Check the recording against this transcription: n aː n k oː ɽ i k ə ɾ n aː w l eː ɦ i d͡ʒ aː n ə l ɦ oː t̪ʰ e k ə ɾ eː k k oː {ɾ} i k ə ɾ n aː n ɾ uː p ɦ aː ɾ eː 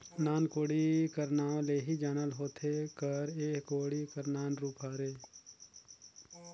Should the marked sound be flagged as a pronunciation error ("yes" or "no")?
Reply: yes